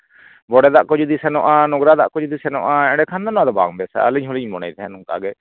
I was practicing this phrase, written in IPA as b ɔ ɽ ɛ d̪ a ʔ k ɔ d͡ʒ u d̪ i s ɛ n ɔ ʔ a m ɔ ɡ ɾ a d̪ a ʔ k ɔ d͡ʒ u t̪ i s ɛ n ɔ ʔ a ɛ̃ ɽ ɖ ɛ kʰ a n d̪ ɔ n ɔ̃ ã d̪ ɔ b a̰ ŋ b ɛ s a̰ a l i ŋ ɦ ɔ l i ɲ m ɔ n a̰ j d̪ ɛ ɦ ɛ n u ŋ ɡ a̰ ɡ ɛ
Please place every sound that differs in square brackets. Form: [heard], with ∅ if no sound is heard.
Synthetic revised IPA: b ɔ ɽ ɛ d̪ a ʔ k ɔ d͡ʒ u d̪ i s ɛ n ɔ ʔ a [n] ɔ ɡ ɾ a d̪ a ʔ k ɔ d͡ʒ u [d̪] i s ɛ n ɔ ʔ a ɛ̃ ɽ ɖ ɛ kʰ a n d̪ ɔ n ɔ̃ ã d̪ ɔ b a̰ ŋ b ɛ s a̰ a l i [ɲ] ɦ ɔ l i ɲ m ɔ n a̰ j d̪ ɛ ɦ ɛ n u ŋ [k] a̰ ɡ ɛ